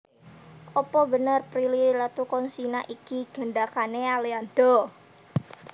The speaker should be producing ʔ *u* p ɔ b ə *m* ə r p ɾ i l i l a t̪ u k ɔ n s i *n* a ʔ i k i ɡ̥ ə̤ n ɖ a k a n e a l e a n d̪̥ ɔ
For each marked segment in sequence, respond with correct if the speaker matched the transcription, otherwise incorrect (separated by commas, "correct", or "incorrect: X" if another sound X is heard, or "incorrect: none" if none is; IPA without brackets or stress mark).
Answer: incorrect: ɔ, incorrect: n, correct